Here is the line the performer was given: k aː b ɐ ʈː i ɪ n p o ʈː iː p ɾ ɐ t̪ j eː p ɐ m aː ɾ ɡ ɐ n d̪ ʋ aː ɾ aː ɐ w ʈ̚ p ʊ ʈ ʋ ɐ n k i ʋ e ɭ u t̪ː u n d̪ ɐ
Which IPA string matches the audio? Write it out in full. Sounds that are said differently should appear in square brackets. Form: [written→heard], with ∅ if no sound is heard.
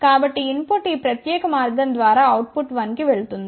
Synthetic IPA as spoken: k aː b ɐ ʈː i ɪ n p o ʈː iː p ɾ ɐ t̪ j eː [p→k] ɐ m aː ɾ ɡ ɐ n d̪ ʋ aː ɾ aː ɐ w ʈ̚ p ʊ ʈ ʋ ɐ n k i ʋ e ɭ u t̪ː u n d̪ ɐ